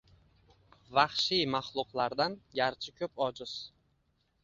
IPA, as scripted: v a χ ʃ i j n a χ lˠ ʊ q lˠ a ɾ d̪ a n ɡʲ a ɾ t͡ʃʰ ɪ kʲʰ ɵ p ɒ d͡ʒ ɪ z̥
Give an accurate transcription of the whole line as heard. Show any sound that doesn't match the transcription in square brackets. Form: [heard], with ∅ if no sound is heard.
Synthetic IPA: v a χ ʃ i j [m] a χ lˠ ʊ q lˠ a ɾ d̪ a n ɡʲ a ɾ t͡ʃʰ ɪ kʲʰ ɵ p ɒ d͡ʒ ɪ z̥